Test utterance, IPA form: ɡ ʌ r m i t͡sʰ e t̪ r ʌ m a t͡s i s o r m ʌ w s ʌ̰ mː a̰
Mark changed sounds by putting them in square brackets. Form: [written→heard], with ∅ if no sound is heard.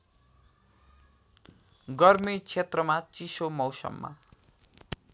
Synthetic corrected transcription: ɡ ʌ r m i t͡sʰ e t̪ r ʌ m a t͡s i s o [r→∅] m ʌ w s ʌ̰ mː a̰